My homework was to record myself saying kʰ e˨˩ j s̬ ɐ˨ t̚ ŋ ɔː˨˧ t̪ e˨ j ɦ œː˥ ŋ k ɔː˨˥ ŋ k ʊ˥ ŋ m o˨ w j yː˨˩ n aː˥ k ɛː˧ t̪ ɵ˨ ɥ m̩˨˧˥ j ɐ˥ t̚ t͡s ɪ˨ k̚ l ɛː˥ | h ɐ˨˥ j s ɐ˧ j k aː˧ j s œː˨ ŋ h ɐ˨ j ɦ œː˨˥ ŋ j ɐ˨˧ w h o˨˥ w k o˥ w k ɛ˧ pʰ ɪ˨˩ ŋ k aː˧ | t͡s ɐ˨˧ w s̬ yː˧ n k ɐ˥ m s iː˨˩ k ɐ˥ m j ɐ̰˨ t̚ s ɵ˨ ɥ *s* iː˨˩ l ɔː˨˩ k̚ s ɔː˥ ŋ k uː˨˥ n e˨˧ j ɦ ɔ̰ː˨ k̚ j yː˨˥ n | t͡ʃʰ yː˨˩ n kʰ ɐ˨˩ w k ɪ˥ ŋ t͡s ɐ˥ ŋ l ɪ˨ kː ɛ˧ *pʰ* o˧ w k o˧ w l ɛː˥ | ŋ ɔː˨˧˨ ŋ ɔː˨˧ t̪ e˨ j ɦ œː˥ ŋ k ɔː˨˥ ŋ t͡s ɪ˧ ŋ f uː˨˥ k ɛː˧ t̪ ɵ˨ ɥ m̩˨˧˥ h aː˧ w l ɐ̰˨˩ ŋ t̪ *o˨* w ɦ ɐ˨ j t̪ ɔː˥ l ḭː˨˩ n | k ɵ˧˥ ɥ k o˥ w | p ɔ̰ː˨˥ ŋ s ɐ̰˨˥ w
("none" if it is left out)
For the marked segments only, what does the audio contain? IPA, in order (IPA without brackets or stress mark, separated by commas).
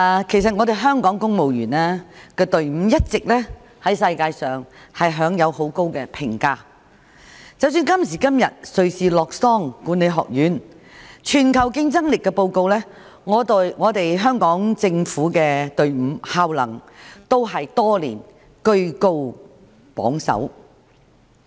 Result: s, p, o˥